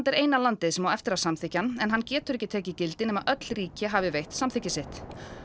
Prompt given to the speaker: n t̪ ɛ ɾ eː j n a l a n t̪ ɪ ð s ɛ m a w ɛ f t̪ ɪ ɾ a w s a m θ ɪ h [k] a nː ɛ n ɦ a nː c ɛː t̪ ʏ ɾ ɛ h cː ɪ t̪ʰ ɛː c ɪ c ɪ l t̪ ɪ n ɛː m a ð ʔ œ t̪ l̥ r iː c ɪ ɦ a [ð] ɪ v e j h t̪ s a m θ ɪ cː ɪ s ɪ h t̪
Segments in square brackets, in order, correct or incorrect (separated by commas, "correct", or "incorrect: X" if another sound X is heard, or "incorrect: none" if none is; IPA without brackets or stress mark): incorrect: c, incorrect: v